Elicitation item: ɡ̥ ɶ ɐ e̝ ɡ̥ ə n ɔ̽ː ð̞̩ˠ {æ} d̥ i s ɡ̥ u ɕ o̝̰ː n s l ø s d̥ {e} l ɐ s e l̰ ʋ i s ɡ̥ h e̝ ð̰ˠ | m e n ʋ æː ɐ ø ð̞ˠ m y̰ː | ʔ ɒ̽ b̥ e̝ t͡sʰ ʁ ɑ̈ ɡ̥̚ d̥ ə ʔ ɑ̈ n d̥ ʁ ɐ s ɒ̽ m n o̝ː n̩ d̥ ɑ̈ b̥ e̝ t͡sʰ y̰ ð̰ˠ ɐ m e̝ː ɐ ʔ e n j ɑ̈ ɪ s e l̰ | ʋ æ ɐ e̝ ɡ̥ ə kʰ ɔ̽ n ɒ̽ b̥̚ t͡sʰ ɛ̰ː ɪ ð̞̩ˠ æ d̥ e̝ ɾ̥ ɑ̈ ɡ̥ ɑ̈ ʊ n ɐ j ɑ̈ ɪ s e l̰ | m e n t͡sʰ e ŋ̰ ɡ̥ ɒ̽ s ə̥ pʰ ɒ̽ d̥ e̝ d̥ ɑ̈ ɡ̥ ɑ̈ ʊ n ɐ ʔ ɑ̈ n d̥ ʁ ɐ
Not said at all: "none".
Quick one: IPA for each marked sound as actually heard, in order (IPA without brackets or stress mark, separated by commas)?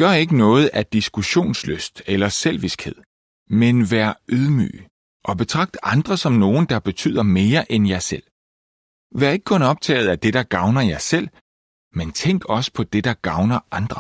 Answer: æ, e